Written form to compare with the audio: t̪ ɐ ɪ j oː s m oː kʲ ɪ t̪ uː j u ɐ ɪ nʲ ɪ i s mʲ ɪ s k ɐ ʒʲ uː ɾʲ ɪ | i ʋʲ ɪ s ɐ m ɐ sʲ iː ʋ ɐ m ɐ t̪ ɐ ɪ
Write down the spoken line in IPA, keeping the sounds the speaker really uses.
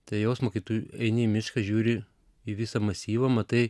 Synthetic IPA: t̪ ɐ ɪ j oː s m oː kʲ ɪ t̪ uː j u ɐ ɪ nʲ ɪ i mʲ ɪ ʃ k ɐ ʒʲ uː ɾʲ ɪ | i ʋʲ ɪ s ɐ m ɐ sʲ iː ʋ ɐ m ɐ t̪ ɐ ɪ